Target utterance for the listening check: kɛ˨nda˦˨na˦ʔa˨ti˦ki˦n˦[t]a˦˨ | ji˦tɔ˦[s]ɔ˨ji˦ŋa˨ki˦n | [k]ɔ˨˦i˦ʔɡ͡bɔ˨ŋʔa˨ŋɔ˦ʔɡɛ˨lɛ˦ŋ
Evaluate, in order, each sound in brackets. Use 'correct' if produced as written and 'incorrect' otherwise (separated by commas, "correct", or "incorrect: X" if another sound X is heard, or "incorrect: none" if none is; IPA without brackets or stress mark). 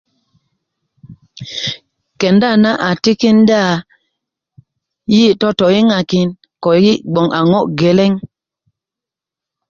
incorrect: d, incorrect: t, correct